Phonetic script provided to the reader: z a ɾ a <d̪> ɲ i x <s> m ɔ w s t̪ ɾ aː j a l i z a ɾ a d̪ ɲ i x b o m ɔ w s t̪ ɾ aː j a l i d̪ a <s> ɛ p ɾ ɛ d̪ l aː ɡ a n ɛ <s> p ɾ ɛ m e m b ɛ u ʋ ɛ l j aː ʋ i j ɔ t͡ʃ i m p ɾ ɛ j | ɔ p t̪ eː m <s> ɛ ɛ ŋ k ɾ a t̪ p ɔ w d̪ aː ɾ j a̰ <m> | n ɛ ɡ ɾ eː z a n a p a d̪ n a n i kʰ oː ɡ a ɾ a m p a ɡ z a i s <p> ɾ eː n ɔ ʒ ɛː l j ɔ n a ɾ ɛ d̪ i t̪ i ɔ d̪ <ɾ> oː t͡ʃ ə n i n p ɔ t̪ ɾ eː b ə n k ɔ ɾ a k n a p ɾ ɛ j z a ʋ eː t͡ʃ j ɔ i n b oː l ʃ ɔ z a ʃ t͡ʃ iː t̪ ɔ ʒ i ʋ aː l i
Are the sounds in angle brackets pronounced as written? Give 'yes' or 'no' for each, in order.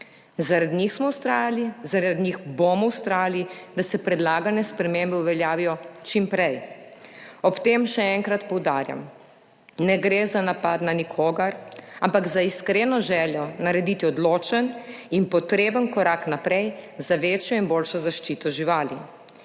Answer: yes, yes, yes, yes, no, yes, no, no

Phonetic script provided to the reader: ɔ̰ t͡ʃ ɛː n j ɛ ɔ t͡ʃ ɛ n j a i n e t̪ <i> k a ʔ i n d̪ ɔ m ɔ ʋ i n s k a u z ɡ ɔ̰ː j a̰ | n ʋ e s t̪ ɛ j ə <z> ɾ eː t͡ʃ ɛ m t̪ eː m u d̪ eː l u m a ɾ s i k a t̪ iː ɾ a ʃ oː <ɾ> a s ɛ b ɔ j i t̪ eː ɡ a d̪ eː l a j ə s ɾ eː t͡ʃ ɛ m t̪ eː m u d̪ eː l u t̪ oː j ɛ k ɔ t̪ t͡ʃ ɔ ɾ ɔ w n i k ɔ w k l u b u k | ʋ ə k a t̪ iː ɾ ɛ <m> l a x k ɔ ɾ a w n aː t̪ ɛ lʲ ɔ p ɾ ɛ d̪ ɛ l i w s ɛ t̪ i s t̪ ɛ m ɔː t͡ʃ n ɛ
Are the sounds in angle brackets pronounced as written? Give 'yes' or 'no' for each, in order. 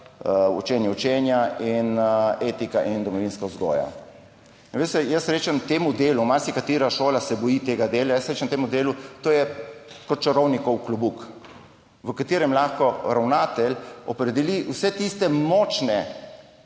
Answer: yes, no, no, yes

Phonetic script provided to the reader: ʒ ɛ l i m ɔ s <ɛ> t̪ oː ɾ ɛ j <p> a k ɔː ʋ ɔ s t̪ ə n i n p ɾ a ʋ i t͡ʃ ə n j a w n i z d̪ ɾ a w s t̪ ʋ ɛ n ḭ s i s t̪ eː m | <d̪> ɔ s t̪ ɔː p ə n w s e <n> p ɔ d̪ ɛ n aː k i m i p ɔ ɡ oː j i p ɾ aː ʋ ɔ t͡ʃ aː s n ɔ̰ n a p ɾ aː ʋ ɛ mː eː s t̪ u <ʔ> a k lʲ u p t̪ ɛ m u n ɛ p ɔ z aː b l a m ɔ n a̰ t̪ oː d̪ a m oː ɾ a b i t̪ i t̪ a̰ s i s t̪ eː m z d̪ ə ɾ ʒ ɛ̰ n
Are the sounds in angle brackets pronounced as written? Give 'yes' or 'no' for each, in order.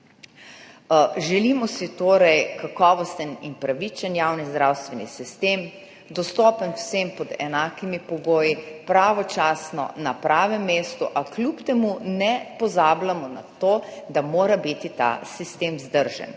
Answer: no, no, yes, no, yes

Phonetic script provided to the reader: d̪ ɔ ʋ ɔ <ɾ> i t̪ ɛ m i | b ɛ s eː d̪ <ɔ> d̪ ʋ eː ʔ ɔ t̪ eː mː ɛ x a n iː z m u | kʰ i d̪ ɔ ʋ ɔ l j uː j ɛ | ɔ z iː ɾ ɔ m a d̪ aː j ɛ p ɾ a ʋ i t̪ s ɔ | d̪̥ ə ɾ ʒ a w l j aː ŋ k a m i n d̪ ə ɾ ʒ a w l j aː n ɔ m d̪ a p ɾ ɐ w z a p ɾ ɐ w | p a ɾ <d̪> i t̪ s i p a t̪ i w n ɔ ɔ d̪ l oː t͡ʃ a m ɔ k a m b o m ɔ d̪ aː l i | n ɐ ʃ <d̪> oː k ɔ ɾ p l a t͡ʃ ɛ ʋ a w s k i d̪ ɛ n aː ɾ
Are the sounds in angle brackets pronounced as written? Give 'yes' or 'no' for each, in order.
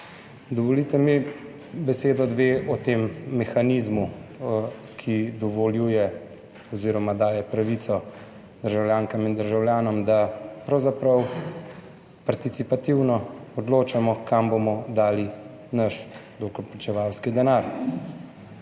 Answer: no, yes, no, yes

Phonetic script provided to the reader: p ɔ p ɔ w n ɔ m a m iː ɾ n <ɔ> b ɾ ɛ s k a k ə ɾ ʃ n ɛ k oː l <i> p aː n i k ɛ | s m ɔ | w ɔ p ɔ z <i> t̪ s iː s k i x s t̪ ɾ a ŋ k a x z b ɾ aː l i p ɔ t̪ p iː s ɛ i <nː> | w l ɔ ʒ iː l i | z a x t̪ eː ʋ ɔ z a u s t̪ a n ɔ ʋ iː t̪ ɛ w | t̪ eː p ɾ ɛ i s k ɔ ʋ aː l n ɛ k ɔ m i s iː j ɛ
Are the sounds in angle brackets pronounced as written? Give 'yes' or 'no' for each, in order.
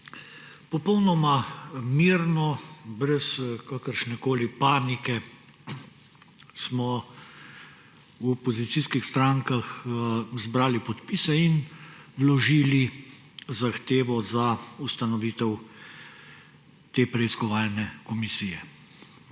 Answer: yes, yes, yes, no

